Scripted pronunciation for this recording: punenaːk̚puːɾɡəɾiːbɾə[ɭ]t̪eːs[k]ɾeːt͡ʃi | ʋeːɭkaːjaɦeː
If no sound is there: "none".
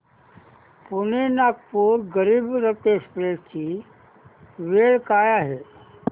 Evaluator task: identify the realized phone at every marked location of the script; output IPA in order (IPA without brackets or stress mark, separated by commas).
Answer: none, p